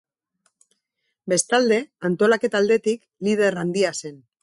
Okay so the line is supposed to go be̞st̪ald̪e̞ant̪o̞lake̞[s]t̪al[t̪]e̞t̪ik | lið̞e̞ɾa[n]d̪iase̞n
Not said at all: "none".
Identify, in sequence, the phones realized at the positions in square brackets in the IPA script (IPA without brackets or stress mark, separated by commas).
none, d̪, n